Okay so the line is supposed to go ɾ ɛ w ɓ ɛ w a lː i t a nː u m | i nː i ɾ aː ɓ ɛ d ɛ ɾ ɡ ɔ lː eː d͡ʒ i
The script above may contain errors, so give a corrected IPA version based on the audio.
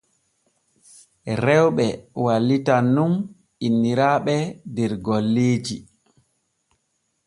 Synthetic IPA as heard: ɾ ɛ w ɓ ɛ w a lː i t a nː u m | i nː i ɾ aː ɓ ɛ d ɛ ɾ ɡ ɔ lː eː d͡ʒ i